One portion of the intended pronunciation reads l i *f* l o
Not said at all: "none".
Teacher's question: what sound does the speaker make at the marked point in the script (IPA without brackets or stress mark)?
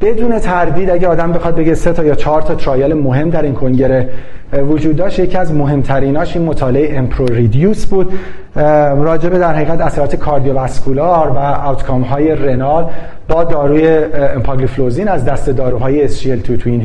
f